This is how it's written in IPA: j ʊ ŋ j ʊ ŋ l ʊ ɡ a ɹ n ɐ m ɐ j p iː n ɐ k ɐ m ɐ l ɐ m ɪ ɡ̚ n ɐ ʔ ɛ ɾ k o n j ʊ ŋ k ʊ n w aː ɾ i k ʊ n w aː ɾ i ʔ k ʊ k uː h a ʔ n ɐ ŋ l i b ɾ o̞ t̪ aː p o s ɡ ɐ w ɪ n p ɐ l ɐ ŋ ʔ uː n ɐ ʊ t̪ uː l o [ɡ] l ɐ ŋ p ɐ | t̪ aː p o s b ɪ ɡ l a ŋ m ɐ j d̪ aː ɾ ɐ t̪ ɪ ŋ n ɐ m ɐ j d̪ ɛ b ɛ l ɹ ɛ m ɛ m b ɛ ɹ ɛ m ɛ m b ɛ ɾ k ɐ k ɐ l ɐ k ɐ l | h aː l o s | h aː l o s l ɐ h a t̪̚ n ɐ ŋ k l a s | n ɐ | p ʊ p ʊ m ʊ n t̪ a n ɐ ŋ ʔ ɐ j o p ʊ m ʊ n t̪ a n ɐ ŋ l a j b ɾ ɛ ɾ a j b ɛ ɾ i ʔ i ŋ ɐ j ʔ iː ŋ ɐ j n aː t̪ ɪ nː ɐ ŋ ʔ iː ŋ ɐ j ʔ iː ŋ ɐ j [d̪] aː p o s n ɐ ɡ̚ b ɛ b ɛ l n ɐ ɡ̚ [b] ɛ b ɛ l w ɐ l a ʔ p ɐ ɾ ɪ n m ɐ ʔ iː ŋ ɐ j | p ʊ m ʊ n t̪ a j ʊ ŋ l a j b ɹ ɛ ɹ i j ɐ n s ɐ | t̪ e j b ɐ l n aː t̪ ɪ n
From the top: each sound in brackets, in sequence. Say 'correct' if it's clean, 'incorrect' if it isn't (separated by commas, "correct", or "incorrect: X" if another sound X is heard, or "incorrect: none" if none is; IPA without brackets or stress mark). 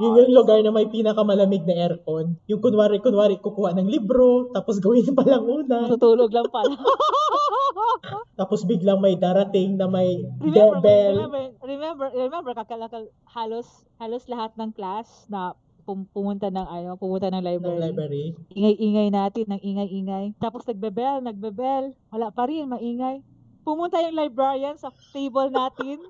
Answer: correct, incorrect: t̪, correct